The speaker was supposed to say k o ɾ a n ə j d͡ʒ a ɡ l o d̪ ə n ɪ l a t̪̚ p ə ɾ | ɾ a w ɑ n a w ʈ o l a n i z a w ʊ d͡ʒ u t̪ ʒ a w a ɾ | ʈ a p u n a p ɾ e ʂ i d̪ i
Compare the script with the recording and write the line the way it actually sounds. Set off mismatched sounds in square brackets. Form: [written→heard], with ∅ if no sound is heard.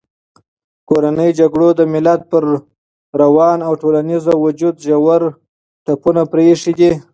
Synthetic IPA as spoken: k o ɾ a n ə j d͡ʒ a ɡ [l→ɽ] o d̪ ə [n→m] ɪ l a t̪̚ p ə ɾ | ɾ a w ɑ n a w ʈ o l a n i z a w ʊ d͡ʒ u [t̪→d̪] ʒ a w a ɾ | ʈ a p u n a p ɾ e ʂ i d̪ i